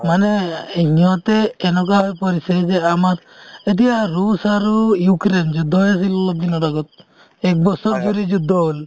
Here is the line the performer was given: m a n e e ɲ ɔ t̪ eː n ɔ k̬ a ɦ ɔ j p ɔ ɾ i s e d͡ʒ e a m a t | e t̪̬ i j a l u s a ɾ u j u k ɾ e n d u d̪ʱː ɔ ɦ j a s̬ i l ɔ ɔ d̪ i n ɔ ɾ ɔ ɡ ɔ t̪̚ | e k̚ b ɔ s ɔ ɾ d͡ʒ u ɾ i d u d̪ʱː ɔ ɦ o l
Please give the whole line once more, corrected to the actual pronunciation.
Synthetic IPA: m a n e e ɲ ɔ t̪ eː n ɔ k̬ a ɦ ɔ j p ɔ ɾ i s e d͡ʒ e a m a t | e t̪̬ i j a ɾ u s a ɾ u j u k ɾ e n d͡ʒ u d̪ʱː ɔ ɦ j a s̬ i l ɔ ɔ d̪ i n ɔ ɾ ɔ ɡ ɔ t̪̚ | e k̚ b ɔ s ɔ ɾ d͡ʒ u ɾ i d͡ʒ u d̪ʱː ɔ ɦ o l